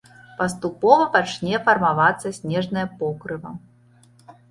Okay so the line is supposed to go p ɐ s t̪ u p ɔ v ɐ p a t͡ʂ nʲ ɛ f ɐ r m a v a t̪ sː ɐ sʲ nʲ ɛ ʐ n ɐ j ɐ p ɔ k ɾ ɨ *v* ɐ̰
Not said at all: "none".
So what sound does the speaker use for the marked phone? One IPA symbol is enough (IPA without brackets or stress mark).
v